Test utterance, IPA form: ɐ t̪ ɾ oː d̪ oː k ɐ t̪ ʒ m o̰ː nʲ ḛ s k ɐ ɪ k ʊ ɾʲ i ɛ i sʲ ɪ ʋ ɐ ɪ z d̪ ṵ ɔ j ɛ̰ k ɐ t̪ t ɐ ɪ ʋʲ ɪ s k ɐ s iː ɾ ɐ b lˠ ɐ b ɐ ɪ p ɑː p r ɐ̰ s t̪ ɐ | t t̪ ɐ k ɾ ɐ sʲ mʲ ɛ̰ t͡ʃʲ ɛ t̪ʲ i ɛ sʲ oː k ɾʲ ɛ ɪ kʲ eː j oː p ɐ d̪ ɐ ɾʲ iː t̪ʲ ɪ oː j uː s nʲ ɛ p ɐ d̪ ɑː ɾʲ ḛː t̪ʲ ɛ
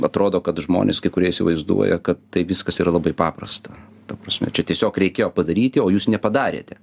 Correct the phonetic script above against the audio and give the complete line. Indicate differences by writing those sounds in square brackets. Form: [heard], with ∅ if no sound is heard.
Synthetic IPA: ɐ t̪ ɾ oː d̪ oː k ɐ t̪ ʒ m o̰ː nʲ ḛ s k ɐ ɪ k ʊ ɾʲ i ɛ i sʲ ɪ ʋ ɐ ɪ z d̪ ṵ ɔ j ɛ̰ k ɐ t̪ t ɐ ɪ ʋʲ ɪ s k ɐ s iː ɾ ɐ [∅] lˠ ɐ b ɐ ɪ p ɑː p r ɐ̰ s t̪ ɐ | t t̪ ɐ [p] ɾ ɐ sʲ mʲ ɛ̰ t͡ʃʲ ɛ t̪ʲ i ɛ sʲ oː k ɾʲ ɛ ɪ kʲ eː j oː p ɐ d̪ ɐ ɾʲ iː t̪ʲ ɪ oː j uː s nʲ ɛ p ɐ d̪ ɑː ɾʲ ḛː t̪ʲ ɛ

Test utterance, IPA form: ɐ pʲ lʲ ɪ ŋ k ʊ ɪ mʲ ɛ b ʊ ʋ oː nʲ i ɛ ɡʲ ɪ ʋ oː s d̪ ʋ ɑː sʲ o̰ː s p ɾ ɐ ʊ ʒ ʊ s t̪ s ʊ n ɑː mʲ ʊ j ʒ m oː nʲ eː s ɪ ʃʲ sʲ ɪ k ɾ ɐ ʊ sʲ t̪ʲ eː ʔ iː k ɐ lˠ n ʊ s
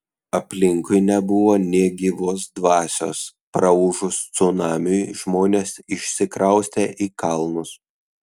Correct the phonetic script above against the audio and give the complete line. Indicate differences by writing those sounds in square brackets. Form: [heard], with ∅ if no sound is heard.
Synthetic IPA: ɐ pʲ lʲ ɪ ŋ k ʊ ɪ [nʲ] ɛ b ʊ ʋ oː nʲ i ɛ ɡʲ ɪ ʋ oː s d̪ ʋ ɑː sʲ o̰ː s p ɾ ɐ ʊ ʒ ʊ s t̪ s ʊ n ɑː mʲ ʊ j ʒ m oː nʲ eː s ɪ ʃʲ sʲ ɪ k ɾ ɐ ʊ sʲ t̪ʲ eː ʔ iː k ɐ lˠ n ʊ s

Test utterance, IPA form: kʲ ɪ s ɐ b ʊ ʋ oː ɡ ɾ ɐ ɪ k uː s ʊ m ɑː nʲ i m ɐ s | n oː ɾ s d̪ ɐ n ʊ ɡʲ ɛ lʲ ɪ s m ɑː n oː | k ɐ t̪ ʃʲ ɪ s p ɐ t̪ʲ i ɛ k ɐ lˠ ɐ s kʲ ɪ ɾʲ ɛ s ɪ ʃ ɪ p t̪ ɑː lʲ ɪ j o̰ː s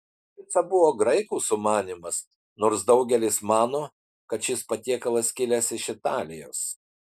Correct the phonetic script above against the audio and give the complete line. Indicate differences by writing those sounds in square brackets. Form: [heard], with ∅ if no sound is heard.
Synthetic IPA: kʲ ɪ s ɐ b ʊ ʋ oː ɡ ɾ ɐ ɪ k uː s ʊ m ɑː nʲ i m ɐ s | n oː ɾ s d̪ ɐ [∅] ʊ ɡʲ ɛ lʲ ɪ s m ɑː n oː | k ɐ t̪ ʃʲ ɪ s p ɐ t̪ʲ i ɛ k ɐ lˠ ɐ s kʲ ɪ [lʲ] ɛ s ɪ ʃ ɪ [∅] t̪ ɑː lʲ ɪ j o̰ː s

